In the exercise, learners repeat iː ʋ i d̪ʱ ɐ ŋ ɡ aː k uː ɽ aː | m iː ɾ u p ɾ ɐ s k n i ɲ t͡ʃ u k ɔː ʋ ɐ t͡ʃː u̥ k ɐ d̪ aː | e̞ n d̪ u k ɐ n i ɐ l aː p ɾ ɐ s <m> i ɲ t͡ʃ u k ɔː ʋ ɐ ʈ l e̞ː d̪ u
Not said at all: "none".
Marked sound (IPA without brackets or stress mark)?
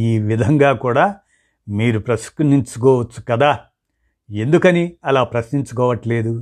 n